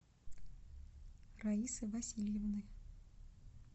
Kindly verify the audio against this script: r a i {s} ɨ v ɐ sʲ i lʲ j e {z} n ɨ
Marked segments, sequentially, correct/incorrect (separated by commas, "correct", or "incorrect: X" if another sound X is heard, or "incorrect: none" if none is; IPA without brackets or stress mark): correct, incorrect: v